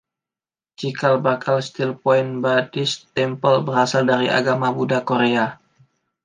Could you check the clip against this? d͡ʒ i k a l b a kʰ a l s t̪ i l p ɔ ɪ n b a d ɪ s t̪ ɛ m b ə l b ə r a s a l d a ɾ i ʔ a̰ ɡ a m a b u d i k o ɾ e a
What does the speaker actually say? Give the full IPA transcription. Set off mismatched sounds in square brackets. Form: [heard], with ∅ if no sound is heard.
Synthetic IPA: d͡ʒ i k a l b a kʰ a l s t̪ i l p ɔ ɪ n b a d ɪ s t̪ ɛ m [p] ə l b ə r a s a l d a ɾ i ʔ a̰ ɡ a m a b u d [a] k o ɾ e a